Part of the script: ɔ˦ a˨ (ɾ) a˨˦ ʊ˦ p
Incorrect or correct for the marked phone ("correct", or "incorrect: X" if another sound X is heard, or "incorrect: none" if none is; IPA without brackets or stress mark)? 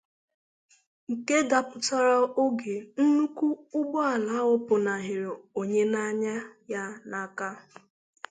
incorrect: l